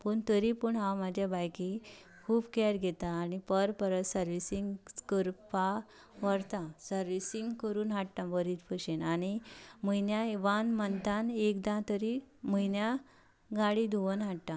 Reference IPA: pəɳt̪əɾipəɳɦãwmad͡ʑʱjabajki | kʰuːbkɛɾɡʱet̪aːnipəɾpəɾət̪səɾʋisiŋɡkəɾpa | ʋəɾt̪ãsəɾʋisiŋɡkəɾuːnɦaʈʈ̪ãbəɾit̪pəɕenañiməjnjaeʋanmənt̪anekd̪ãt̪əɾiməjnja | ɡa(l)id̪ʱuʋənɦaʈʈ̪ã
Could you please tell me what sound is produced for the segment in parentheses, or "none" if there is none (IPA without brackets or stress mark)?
ɽ